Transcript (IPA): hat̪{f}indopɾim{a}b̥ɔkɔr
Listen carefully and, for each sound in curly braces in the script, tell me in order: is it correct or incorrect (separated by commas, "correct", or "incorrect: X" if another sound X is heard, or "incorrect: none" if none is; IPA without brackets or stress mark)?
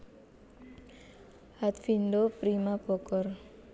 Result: correct, correct